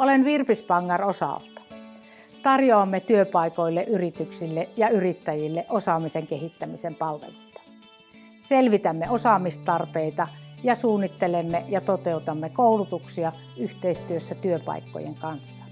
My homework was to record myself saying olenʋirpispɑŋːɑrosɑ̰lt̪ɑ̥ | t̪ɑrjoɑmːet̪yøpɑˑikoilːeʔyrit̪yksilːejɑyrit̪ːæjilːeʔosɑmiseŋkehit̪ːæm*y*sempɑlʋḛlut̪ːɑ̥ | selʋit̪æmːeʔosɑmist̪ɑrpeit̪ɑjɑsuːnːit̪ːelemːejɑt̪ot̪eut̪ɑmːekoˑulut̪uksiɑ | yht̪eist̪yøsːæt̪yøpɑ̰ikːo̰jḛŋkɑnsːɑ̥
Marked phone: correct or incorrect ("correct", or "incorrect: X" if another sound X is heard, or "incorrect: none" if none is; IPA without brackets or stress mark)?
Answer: incorrect: i